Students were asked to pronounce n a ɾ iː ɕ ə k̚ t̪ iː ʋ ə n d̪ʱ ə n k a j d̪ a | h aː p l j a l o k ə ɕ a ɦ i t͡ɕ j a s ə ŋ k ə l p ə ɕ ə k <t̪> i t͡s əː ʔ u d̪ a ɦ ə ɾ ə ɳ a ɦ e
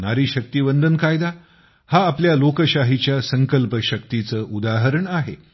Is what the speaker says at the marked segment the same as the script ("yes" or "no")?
yes